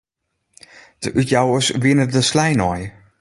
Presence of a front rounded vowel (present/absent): present